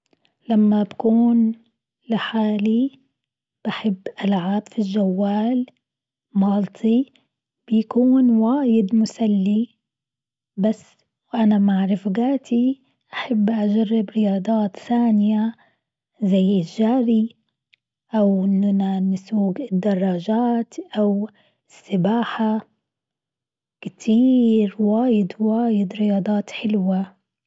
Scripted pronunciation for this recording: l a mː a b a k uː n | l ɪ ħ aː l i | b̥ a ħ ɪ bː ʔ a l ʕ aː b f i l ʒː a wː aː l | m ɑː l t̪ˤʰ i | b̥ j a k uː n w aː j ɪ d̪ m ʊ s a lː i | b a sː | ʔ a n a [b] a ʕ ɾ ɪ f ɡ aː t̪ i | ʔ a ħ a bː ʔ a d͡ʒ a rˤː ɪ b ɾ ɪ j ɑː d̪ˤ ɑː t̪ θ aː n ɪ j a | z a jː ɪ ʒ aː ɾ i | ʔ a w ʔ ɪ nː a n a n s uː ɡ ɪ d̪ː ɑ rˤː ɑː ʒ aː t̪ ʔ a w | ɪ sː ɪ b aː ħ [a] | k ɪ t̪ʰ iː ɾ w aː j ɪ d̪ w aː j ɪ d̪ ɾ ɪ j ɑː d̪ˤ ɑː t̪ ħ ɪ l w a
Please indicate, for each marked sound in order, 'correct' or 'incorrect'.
incorrect: m, correct

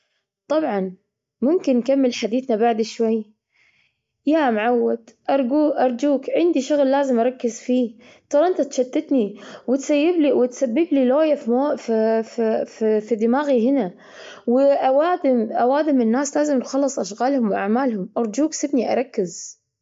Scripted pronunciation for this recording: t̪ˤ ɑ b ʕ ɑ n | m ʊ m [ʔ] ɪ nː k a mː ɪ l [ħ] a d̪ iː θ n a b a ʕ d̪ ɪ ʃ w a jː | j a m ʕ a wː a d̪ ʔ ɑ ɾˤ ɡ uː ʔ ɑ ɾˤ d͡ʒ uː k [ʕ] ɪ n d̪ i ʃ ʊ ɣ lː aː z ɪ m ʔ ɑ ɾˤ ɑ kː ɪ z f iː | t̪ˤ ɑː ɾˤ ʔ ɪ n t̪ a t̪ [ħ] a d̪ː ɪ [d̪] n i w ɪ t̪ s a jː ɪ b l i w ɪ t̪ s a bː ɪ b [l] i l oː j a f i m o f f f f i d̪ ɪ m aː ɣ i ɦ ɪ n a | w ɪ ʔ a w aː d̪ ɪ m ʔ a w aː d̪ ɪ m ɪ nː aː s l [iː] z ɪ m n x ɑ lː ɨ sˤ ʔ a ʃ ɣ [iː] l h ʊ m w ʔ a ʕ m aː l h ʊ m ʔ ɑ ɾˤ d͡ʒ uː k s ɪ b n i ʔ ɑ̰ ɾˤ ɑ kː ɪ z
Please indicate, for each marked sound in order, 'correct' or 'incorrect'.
incorrect: k, correct, correct, incorrect: ʃ, incorrect: t̪, correct, incorrect: aː, incorrect: aː

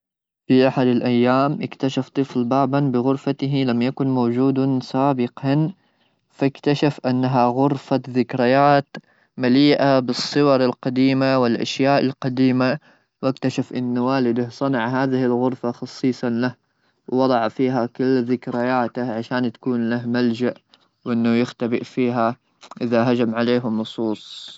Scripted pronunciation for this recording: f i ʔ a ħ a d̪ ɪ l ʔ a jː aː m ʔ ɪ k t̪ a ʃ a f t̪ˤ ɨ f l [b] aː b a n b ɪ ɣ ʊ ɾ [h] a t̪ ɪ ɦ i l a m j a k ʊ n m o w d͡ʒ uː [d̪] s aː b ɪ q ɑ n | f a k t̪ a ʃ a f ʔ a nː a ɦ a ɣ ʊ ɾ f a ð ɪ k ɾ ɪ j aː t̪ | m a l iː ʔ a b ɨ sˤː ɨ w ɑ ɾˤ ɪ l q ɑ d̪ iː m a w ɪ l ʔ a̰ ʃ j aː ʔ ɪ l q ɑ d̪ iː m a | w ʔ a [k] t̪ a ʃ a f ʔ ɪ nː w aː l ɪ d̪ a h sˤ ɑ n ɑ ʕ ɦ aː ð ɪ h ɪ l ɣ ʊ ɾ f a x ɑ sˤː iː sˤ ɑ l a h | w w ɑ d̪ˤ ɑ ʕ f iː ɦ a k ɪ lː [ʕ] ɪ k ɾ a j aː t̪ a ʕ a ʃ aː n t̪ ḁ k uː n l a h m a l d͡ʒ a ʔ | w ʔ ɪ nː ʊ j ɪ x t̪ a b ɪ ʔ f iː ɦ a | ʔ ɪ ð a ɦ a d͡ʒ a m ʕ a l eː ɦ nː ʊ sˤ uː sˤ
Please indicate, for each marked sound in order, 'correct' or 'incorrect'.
correct, incorrect: f, correct, correct, incorrect: ð

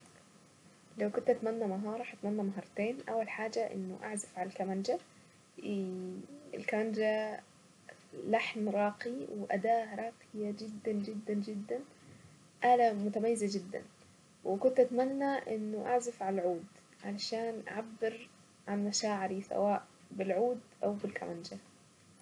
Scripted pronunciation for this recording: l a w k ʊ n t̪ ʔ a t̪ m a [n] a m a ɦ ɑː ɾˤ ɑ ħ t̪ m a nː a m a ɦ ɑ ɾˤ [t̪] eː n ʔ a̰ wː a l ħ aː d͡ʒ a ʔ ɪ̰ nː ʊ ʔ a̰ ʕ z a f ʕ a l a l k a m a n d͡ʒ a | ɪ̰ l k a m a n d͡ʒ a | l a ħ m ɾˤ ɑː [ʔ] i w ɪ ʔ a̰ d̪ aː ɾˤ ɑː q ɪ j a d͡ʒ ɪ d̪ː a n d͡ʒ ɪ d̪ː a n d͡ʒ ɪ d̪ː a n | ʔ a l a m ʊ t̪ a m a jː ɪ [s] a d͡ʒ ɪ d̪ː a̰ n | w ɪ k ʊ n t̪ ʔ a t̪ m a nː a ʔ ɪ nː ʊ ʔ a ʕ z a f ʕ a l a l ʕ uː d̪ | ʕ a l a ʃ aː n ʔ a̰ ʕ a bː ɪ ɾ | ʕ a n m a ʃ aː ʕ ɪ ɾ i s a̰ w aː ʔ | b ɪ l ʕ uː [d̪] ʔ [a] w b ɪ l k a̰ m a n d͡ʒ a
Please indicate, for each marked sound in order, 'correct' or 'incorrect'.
incorrect: nː, correct, incorrect: q, incorrect: z, correct, correct

